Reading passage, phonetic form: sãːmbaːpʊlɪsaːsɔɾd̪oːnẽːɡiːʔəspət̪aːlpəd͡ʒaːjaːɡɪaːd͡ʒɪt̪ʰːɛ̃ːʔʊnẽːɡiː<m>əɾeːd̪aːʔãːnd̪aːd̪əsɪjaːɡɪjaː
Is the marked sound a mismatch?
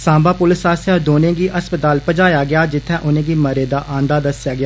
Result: no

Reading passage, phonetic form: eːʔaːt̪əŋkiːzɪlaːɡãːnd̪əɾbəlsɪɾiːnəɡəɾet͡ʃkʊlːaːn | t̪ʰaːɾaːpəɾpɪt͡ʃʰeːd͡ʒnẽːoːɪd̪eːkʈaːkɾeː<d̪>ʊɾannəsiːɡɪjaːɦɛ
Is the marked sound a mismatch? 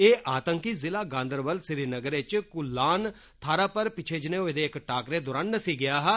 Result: no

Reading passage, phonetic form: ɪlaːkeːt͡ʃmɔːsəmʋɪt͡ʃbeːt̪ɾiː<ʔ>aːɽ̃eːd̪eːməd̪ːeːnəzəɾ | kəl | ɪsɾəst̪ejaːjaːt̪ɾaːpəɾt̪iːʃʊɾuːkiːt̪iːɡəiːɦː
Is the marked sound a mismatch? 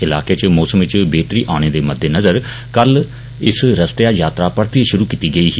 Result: no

